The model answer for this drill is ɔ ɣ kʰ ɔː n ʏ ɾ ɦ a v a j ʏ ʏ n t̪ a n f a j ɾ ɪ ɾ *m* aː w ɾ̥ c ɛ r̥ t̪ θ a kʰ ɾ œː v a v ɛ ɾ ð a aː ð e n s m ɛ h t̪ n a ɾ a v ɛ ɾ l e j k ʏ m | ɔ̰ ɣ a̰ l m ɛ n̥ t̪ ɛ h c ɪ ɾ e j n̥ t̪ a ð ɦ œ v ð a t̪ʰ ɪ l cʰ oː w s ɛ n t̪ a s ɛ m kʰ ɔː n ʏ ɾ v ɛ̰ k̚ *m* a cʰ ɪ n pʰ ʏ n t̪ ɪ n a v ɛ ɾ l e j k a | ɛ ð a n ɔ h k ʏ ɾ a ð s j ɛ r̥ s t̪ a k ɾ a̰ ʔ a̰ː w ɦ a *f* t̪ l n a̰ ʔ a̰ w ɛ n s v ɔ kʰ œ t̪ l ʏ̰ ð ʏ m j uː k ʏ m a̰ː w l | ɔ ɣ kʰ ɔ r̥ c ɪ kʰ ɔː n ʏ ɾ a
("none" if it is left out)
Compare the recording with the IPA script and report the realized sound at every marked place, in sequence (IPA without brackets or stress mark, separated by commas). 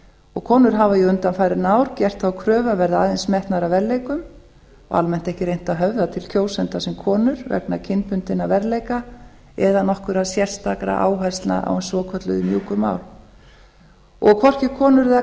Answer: n, n, s